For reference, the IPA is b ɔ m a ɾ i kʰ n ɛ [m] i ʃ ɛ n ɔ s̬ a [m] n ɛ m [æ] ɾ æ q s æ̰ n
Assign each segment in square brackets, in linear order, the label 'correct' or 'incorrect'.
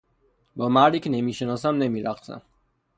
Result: correct, correct, incorrect

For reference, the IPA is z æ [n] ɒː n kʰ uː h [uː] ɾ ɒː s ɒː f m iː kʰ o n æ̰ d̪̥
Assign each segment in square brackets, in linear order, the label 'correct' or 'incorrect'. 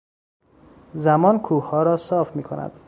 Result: incorrect, incorrect

